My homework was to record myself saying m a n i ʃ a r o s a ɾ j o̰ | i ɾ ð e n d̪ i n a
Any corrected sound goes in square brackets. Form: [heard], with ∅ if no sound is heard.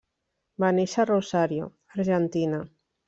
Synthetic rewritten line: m a n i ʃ a r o s a ɾ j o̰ | [a] ɾ [ʒ] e n [t̪] i n a